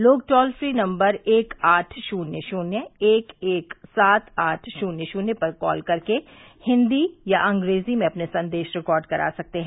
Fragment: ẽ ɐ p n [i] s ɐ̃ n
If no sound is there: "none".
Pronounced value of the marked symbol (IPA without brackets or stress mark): e